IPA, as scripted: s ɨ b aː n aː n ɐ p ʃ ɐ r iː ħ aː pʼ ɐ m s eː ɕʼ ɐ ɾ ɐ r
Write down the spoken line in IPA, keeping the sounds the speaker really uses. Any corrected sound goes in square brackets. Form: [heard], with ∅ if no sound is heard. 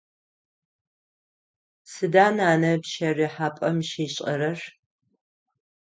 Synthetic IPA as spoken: s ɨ [d] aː n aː n ɐ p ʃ ɐ r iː ħ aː pʼ ɐ m [ʃ] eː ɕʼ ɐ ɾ ɐ r